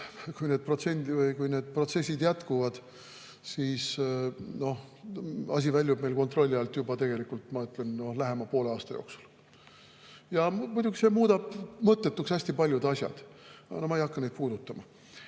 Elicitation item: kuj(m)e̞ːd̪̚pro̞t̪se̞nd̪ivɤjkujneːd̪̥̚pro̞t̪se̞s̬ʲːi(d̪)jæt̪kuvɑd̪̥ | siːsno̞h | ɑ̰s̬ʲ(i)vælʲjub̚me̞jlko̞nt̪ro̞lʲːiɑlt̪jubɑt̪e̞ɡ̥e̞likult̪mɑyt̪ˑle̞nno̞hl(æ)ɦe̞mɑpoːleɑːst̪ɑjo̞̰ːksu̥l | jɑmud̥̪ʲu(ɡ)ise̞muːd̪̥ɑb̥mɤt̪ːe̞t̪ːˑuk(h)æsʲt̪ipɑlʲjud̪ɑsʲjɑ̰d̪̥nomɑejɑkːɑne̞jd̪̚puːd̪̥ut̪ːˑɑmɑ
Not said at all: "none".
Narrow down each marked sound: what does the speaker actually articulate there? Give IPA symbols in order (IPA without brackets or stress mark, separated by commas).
n, d̪, i, æ, ɡ, s